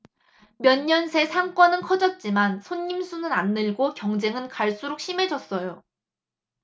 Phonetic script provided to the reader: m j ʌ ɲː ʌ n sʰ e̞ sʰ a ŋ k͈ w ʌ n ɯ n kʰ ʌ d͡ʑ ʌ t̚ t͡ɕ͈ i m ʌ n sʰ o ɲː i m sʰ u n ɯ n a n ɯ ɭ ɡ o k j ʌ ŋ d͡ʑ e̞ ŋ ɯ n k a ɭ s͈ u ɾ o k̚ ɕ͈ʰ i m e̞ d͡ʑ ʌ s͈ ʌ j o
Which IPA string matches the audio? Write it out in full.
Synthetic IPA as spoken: m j ʌ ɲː ʌ n sʰ e̞ sʰ a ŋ k͈ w ʌ n ɯ n kʰ ʌ d͡ʑ ʌ t̚ t͡ɕ͈ i m a n sʰ o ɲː i m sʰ u n ɯ n a nː ɯ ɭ ɡ o k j ʌ ŋ d͡ʑ e̞ ŋ ɯ n k a ɭ s͈ u ɾ o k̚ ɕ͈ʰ i m e̞ d͡ʑ ʌ s͈ ʌ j o

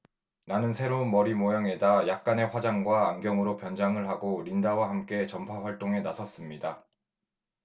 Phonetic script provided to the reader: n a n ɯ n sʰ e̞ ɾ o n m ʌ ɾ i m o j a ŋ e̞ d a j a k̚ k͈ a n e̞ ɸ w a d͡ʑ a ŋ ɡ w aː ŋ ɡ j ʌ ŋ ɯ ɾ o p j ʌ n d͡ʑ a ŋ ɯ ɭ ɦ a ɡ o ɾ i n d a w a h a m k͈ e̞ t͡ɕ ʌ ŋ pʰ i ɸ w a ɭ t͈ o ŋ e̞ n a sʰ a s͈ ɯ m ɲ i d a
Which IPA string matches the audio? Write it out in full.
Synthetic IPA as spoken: n a n ɯ n sʰ e̞ ɾ o n m ʌ ɾ i m o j a ŋ e̞ d a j a k̚ k͈ a n e̞ ɸ w a d͡ʑ a ŋ ɡ w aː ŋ ɡ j ʌ ŋ ɯ ɾ o p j ʌ n d͡ʑ a ŋ ɯ ɭ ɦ a ɡ o ɾ i n d a w a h a m k͈ e̞ t͡ɕ ʌ m pʰ a ɸ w a ɭ t͈ o ŋ e̞ n a sʰ ʌ s͈ ɯ m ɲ i d a

